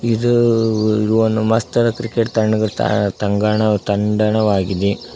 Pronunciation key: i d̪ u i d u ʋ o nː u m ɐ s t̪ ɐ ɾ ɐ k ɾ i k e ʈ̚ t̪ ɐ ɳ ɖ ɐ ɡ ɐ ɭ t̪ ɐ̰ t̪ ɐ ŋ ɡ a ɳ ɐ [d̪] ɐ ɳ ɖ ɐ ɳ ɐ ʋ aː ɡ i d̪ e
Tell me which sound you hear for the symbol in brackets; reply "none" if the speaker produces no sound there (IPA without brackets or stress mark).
t̪